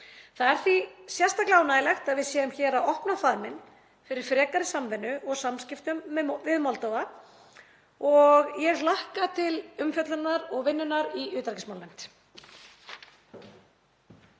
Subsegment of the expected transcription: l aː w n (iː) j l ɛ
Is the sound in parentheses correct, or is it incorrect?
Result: incorrect